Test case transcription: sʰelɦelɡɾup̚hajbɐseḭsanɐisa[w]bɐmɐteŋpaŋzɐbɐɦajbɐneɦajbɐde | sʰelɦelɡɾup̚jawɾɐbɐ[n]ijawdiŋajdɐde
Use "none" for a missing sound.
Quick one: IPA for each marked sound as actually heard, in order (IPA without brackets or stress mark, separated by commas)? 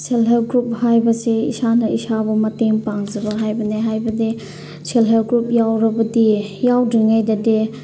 none, d